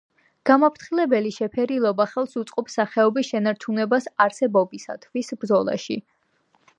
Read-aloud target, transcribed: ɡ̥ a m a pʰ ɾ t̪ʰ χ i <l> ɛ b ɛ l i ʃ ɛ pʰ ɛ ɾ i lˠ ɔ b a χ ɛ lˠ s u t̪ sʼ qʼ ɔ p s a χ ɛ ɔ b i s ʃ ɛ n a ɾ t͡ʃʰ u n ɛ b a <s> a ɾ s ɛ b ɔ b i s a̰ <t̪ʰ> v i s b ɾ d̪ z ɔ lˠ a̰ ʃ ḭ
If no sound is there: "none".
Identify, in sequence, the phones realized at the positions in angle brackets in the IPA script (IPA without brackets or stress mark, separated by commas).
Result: l, s, t̪ʰ